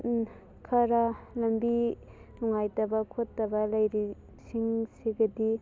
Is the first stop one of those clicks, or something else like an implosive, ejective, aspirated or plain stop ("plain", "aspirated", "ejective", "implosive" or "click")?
aspirated